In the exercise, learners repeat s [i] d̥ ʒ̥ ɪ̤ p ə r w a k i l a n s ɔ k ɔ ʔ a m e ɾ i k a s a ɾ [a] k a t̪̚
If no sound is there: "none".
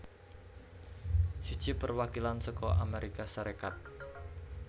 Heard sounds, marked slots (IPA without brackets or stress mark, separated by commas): i, e